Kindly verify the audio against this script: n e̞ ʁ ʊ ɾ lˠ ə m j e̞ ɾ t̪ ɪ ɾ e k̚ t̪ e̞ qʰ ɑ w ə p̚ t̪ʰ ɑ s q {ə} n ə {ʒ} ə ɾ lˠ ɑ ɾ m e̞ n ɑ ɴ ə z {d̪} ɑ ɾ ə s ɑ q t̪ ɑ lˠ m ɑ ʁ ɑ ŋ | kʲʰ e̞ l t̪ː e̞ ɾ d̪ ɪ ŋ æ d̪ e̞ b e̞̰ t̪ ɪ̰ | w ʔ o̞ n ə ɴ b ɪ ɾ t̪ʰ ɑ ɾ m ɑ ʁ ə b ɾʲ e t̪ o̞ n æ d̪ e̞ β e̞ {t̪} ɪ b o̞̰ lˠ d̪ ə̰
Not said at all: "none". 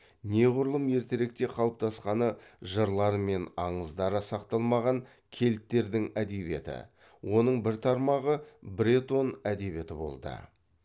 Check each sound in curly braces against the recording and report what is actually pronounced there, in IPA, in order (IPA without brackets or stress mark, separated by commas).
ɑ, ʒ, d̪, t̪